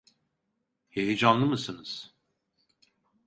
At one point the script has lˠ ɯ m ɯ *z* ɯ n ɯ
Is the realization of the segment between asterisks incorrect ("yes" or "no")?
yes